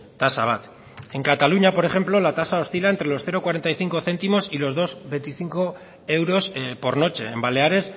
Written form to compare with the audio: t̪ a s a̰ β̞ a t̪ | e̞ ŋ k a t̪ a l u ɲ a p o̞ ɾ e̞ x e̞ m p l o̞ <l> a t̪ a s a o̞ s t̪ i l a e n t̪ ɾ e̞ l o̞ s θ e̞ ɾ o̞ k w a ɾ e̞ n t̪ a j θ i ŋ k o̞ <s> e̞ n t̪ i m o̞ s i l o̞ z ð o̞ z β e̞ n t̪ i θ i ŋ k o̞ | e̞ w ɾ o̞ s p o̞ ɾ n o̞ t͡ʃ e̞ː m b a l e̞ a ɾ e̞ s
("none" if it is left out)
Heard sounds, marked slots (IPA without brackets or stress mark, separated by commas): l, θ